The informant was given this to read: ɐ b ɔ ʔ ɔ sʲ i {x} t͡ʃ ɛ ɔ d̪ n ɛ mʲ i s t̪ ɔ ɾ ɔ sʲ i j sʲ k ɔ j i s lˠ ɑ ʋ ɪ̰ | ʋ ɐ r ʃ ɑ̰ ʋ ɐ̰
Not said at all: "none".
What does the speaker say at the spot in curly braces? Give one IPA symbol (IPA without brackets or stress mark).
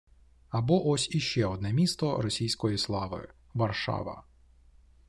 ʃ